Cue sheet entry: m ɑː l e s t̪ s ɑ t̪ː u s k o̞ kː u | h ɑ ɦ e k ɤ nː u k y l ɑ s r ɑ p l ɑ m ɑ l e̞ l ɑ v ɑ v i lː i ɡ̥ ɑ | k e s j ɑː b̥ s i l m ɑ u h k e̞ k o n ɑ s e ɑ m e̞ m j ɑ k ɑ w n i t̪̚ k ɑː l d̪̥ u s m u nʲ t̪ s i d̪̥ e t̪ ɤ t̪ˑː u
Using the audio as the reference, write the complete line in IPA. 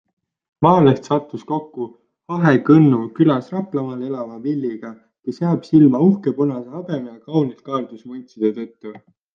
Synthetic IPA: m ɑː l e s t̪ s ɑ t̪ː u s k o̞ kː u | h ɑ ɦ e k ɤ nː u k y l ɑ s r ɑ p l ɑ m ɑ l e̞ l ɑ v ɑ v i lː i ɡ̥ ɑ | k e s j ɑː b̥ s i l m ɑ u h k e̞ p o n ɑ s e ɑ b e̞ m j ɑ k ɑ w n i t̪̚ k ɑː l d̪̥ u s m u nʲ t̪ s i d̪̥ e t̪ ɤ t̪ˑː u